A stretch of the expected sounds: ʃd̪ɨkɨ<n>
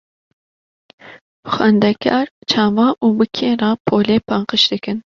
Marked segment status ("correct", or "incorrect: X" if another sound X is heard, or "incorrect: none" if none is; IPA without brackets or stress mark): correct